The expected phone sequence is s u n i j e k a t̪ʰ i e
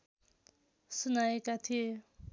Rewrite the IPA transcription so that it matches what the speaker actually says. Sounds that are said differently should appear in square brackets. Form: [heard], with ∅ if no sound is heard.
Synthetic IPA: s u n [a] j e k a t̪ʰ i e